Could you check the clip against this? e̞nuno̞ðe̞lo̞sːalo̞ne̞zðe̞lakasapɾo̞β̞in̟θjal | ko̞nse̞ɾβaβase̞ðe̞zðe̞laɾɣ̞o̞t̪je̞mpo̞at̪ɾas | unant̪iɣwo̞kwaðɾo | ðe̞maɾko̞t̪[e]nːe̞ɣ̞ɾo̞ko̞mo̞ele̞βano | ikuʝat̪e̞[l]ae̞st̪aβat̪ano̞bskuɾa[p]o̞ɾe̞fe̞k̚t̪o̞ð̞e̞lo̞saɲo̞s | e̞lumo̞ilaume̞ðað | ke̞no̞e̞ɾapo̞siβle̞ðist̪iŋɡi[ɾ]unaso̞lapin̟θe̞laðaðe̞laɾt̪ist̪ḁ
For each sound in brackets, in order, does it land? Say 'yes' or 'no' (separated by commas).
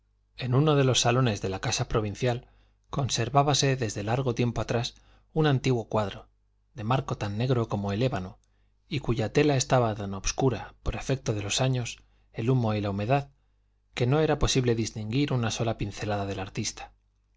no, yes, yes, yes